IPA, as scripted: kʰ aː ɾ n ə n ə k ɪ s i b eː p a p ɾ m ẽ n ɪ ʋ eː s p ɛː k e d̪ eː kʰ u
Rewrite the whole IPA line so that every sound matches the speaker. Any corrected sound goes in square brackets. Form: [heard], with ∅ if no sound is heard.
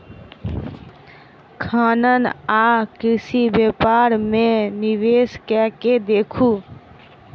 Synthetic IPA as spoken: kʰ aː [∅] n ə n [a] k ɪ s i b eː p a [∅] ɾ m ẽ n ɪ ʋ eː s [k] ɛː k e d̪ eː kʰ u